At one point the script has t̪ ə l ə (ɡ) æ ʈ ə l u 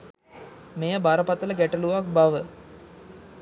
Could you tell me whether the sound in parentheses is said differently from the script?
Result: no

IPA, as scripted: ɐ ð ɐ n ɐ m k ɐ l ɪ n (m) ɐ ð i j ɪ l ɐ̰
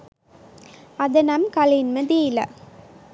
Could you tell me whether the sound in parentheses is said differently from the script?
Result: no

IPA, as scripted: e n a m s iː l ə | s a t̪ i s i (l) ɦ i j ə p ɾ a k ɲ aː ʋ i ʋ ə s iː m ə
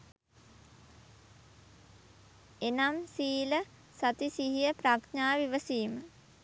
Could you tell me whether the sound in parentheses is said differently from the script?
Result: yes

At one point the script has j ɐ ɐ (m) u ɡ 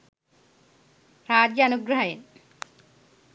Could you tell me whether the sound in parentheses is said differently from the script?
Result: yes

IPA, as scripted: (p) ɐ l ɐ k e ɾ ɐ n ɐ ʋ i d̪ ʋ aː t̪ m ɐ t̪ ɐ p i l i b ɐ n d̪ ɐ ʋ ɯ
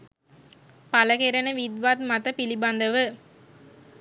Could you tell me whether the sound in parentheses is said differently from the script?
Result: no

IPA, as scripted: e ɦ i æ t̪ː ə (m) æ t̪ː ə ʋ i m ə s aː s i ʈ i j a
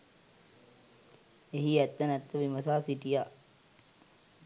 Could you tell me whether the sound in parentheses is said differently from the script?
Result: yes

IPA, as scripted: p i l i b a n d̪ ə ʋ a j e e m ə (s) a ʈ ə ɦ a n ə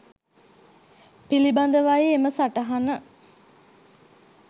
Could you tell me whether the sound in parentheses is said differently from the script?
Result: no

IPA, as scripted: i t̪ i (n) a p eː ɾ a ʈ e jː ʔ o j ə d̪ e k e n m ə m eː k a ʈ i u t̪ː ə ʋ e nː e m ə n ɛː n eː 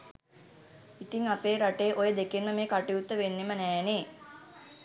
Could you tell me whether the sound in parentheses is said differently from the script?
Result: yes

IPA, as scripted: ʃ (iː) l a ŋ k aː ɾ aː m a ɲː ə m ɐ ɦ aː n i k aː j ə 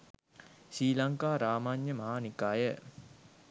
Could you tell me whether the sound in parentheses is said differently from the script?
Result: no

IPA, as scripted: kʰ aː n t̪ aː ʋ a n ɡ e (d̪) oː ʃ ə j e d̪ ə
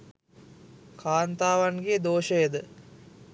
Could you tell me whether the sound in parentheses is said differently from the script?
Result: no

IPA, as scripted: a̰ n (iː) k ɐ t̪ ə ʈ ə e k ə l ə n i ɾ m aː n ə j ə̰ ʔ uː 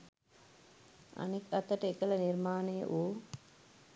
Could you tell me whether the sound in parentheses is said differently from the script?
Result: yes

